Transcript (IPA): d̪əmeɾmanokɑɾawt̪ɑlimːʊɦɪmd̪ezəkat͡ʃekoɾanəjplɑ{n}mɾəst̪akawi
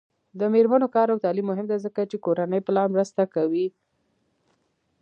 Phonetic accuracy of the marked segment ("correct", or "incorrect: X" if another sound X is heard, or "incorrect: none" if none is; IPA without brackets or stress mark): correct